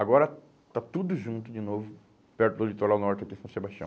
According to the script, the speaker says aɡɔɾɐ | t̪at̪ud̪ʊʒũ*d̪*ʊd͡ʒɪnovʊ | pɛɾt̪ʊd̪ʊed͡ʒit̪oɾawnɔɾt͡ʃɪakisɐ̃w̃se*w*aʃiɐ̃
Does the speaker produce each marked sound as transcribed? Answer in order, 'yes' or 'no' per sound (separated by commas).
no, no